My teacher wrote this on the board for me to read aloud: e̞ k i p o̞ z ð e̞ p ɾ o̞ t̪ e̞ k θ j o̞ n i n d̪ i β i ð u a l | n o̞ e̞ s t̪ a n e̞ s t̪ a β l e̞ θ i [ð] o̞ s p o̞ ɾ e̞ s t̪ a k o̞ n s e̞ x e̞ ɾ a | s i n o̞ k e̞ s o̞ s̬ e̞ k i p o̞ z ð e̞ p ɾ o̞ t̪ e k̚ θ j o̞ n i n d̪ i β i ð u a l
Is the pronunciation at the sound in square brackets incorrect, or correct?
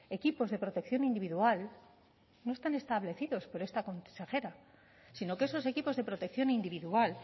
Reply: correct